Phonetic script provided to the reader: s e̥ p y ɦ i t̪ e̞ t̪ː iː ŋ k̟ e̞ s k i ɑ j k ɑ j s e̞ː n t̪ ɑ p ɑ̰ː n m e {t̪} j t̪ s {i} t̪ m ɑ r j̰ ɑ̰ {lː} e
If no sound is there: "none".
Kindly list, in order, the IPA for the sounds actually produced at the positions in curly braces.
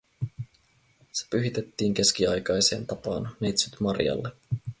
none, y, lː

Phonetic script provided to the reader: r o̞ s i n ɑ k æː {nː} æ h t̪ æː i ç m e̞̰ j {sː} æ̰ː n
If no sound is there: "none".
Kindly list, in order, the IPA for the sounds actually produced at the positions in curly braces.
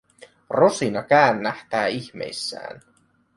nː, sː

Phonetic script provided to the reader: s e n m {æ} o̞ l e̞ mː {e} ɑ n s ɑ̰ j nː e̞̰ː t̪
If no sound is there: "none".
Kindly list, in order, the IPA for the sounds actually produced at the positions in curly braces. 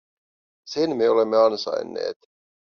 e, e

